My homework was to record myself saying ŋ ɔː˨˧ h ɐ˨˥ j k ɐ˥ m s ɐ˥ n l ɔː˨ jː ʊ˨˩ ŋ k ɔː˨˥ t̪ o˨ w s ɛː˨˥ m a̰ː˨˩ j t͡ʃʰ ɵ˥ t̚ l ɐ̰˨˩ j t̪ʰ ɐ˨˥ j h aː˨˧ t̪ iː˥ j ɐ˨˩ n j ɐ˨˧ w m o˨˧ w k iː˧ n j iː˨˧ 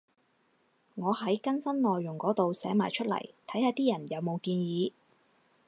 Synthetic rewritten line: ŋ ɔː˨˧ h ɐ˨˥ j k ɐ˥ n s ɐ˥ n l ɔː˨ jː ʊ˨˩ ŋ k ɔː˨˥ t̪ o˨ w s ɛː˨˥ m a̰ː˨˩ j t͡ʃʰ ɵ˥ t̚ l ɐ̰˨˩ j t̪ʰ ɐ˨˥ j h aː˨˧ t̪ iː˥ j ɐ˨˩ n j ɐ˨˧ w m o˨˧ w k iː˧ n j iː˨˧